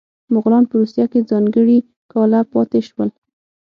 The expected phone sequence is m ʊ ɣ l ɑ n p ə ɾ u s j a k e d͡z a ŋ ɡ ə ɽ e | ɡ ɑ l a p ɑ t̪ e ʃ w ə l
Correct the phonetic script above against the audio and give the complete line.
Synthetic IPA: m ʊ ɣ l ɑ n p ə ɾ u s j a k e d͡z ɑ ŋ ɡ ə ɽ i | k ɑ l a p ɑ t̪ e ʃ w ə l